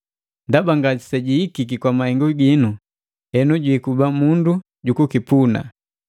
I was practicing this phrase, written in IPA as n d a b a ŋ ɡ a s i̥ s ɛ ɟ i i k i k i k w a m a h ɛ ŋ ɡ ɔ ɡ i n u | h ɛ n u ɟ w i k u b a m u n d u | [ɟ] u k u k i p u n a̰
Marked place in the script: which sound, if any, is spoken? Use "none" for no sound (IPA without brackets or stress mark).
ɟ